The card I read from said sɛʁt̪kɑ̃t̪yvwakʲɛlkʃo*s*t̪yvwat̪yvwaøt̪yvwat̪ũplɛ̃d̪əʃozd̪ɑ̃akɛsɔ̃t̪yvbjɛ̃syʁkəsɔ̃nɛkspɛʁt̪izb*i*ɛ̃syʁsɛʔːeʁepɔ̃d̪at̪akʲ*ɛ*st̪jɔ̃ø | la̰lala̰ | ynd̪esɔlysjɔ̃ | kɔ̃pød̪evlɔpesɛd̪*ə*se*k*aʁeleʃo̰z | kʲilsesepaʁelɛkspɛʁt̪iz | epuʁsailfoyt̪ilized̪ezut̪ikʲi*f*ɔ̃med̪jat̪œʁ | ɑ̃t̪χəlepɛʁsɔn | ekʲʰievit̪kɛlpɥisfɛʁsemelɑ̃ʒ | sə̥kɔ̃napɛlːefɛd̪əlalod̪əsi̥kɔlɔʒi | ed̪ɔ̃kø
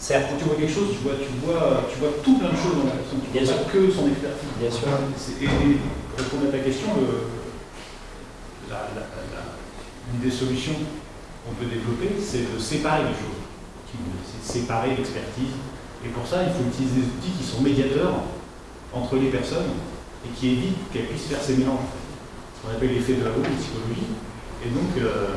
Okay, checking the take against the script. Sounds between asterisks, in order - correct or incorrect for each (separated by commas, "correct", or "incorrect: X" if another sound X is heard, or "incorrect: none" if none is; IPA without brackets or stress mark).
incorrect: z, incorrect: j, correct, correct, incorrect: p, incorrect: s